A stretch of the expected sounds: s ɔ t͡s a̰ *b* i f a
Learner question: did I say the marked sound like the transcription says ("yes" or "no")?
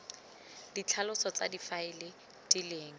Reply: no